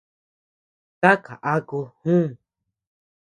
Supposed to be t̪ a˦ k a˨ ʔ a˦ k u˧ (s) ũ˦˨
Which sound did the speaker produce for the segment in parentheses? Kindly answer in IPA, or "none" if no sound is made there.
h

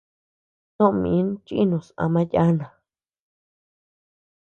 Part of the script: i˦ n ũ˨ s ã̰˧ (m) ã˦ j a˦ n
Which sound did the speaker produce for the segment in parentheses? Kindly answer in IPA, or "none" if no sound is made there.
m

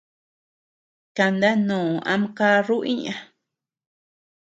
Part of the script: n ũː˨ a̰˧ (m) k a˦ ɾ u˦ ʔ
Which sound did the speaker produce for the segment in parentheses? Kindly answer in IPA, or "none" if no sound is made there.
m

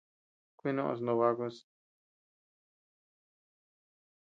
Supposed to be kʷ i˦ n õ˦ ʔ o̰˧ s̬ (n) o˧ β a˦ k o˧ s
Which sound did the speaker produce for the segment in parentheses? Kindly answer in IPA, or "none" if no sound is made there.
n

